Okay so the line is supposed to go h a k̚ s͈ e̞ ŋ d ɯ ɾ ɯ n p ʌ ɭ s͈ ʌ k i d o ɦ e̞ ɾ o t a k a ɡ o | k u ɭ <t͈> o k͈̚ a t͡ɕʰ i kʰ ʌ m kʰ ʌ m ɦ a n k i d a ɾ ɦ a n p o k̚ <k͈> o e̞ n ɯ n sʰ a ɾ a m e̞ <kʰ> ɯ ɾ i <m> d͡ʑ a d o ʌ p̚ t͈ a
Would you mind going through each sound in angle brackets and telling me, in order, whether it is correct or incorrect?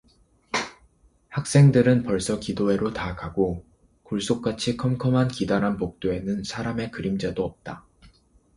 incorrect, incorrect, incorrect, correct

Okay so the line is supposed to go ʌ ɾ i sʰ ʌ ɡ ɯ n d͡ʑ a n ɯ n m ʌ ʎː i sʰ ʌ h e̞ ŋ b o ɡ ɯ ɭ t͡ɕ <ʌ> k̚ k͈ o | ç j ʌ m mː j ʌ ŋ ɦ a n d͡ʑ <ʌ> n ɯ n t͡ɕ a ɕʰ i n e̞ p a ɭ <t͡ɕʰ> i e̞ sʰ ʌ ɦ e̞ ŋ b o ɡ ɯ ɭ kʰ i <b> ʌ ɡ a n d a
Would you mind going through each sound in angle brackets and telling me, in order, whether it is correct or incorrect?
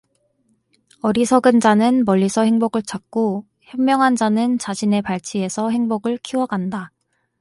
incorrect, incorrect, correct, incorrect

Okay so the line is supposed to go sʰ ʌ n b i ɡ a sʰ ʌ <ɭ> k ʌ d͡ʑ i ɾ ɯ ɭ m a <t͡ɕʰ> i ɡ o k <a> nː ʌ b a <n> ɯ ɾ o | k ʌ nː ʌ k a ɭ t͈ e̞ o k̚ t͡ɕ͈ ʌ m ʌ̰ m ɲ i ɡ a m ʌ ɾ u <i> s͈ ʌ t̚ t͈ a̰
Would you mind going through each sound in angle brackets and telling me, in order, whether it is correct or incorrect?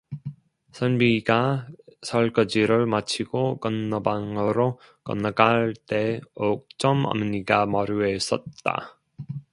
correct, correct, incorrect, incorrect, incorrect

